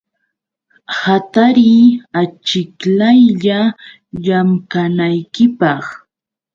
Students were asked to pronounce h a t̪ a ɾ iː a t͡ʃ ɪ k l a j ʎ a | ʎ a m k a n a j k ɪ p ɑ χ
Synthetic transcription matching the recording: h a t̪ a ɾ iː a t͡ʃ ɪ k l a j ʎ a | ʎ a m k a n a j k ɪ p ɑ χ